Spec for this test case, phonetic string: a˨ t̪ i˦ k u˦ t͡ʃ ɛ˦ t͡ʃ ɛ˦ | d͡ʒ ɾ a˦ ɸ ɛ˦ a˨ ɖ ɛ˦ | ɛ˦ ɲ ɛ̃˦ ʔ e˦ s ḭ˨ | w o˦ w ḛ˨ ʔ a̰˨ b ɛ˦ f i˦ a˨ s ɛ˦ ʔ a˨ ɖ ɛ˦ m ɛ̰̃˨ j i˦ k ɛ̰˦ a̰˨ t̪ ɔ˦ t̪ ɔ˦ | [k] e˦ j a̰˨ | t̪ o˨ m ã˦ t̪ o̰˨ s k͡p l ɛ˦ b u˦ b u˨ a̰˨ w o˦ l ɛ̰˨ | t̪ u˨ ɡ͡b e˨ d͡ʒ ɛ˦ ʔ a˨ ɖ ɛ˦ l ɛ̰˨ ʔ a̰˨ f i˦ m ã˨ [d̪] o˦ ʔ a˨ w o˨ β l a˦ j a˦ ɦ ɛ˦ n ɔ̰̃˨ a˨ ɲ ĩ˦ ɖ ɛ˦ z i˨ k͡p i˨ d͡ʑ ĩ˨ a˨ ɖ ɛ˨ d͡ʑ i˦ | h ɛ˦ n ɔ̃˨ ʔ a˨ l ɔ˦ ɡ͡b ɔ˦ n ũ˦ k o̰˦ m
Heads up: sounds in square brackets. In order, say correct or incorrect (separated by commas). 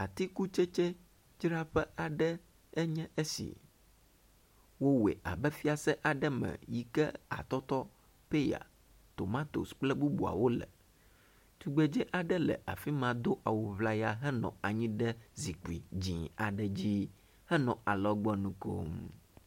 incorrect, correct